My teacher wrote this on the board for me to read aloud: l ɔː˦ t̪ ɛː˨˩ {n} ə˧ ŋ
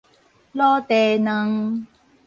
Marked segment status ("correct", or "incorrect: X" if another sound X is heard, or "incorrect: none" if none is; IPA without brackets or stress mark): correct